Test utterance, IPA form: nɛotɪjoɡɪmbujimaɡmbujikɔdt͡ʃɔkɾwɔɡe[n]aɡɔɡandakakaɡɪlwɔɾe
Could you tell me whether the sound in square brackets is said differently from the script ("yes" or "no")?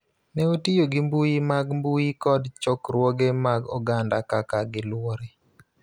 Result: yes